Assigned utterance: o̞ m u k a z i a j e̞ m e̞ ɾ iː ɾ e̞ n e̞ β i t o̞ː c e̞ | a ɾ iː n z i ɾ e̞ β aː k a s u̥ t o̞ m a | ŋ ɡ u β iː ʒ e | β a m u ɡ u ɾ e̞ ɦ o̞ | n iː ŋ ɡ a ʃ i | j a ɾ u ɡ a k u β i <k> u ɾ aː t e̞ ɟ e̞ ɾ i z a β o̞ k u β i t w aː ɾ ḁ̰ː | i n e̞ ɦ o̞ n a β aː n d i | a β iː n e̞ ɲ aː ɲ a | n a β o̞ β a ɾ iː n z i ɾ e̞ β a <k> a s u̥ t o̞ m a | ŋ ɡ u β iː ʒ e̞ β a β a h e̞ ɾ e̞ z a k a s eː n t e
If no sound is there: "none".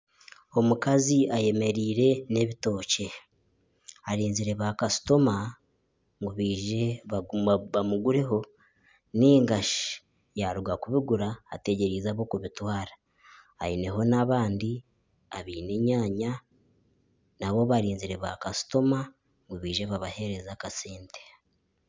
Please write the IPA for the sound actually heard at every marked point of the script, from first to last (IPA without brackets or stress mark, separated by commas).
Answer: ɡ, k